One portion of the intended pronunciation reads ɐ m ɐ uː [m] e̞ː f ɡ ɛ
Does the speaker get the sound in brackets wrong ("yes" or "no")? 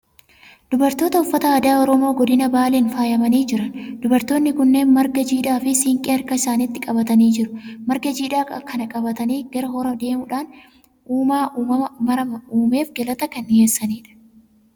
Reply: no